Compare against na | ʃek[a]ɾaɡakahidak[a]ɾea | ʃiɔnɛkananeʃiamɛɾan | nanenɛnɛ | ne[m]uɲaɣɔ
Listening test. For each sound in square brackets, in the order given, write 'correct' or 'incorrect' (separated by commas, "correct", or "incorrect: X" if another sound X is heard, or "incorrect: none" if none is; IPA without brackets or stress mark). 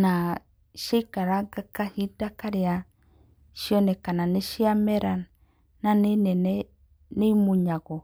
correct, correct, correct